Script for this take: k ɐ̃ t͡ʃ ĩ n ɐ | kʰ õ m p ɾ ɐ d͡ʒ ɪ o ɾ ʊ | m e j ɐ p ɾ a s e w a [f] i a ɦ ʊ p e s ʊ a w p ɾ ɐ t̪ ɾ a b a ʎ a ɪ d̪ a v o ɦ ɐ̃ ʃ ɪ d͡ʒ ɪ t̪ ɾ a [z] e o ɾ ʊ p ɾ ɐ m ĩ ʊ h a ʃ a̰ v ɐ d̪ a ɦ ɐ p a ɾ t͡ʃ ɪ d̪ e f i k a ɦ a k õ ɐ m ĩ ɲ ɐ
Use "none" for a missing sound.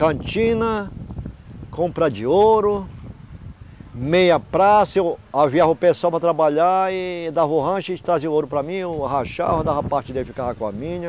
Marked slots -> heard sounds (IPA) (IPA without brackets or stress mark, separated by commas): v, z